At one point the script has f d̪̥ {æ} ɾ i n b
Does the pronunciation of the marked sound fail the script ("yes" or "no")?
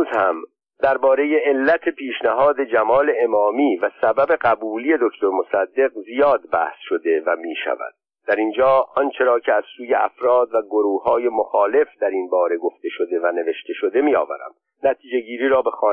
no